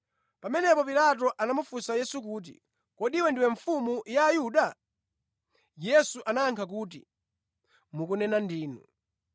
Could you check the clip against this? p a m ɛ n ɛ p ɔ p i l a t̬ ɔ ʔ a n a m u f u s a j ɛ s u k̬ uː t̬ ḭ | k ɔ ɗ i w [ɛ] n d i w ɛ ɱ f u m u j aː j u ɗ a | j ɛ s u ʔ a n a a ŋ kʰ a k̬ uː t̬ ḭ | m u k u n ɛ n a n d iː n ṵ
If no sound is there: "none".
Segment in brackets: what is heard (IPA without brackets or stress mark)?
ɛ